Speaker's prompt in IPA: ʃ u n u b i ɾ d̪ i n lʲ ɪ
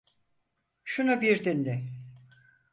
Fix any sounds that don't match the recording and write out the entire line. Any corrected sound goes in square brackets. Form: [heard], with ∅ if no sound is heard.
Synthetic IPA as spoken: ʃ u n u b i ɾ d̪ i n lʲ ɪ